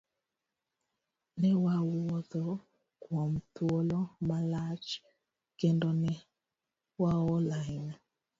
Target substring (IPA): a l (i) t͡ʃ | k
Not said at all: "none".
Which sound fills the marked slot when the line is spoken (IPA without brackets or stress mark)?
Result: a